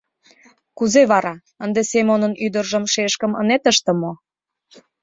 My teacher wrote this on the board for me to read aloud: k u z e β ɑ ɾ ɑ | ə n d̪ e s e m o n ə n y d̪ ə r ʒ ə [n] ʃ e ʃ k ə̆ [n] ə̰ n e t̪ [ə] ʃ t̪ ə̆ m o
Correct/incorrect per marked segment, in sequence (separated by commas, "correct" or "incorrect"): incorrect, incorrect, correct